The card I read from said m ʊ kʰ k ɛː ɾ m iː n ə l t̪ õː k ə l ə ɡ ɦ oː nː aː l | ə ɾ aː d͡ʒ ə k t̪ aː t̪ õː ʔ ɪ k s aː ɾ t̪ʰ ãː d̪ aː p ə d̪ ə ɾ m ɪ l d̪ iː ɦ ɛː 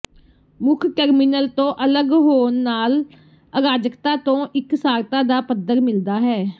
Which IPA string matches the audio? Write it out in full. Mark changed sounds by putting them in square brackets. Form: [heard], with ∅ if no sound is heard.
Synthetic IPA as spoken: m ʊ kʰ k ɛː ɾ m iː n ə l t̪ õː [ʔ] ə l ə ɡ ɦ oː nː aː l | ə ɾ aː d͡ʒ ə k t̪ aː t̪ õː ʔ ɪ k s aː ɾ [t̪] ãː d̪ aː p ə d̪ ə ɾ m ɪ l d̪ [aː] ɦ ɛː